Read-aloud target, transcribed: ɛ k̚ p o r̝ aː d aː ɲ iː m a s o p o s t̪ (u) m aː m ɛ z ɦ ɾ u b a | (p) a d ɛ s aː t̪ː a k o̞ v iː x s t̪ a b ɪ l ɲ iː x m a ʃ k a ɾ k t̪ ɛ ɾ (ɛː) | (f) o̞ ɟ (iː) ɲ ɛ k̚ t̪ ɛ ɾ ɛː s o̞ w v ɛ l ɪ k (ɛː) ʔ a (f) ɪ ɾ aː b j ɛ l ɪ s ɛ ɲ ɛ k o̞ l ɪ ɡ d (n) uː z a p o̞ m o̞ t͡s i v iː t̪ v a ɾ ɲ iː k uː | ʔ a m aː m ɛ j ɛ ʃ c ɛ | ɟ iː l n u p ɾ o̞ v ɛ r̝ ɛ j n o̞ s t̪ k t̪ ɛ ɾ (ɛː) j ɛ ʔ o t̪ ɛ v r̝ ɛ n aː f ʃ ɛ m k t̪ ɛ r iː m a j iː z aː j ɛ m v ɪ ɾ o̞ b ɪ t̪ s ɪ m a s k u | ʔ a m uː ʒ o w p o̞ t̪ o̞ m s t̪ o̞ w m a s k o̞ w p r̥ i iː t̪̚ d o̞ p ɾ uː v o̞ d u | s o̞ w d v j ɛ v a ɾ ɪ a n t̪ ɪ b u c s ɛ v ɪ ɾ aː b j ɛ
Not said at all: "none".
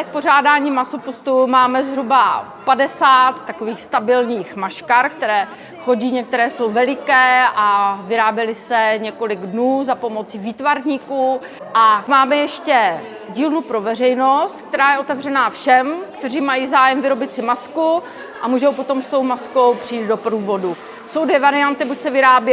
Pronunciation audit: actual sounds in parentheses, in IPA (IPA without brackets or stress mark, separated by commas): u, p, ɛː, x, iː, ɛː, v, n, aː